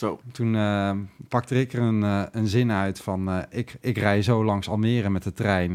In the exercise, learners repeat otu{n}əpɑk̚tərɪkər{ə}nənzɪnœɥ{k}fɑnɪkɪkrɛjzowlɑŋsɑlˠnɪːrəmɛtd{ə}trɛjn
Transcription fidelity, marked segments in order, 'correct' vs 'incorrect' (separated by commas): correct, correct, incorrect, correct